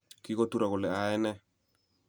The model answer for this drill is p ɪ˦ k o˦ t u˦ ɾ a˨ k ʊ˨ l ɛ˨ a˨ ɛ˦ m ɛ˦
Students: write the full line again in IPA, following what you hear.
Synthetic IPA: k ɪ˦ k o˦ t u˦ ɾ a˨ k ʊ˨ l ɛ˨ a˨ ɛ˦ n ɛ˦